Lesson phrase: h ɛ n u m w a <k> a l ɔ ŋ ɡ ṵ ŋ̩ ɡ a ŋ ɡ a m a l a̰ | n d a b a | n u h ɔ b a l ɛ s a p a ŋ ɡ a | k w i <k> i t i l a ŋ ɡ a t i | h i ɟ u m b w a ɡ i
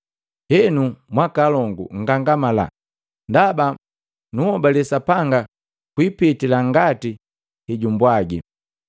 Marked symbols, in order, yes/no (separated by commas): yes, no